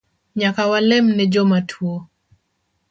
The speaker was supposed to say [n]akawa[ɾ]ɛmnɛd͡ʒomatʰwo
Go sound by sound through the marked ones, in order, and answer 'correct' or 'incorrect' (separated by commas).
incorrect, incorrect